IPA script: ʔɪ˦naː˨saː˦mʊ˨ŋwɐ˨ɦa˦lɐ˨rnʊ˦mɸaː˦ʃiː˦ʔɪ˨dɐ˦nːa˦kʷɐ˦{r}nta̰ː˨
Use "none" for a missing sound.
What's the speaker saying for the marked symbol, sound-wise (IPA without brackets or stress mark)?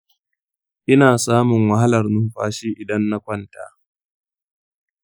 none